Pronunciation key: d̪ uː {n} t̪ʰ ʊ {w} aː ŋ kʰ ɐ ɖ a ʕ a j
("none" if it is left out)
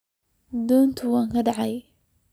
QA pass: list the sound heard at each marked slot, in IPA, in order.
n, w

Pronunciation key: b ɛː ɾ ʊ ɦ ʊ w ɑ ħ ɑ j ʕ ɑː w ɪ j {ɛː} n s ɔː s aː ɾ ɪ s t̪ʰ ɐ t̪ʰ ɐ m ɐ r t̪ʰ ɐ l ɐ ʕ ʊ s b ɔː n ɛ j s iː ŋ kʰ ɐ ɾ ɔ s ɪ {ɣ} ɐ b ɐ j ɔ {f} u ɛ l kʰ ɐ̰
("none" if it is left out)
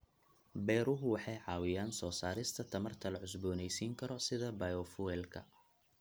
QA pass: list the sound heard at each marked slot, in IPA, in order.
aː, ð, f

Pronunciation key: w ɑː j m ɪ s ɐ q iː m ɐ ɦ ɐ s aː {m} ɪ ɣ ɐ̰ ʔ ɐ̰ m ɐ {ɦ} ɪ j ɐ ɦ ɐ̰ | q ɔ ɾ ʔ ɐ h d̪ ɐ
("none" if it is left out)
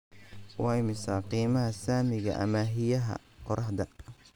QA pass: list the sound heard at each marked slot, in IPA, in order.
m, ɦ

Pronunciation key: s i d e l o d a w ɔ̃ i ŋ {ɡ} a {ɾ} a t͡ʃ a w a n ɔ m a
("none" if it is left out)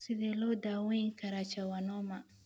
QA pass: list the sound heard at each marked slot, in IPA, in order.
k, ɾ

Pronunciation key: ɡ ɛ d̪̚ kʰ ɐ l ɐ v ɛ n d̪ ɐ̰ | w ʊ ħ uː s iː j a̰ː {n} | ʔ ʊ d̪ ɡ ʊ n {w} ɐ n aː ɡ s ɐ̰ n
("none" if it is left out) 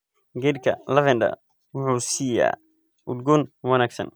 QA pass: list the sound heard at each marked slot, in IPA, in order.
none, w

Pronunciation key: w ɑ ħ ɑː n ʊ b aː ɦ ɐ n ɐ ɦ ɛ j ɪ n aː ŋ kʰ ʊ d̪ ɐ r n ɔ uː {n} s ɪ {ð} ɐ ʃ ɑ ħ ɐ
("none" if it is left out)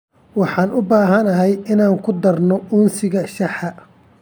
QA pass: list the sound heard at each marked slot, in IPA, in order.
n, ɣ

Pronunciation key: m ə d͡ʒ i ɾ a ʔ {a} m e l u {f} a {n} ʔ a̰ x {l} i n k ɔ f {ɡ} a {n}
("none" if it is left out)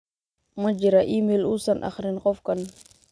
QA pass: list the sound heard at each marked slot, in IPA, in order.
i, s, n, ɾ, k, n

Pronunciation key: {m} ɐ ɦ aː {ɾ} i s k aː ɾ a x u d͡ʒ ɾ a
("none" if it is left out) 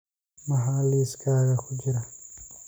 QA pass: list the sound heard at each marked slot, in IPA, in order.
m, l

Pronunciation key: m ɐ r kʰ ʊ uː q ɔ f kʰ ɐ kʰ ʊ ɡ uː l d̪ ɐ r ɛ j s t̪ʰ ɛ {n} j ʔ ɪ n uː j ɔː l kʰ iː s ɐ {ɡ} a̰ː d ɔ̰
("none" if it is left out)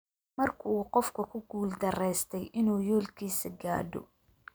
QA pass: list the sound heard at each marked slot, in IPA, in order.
none, ɡ

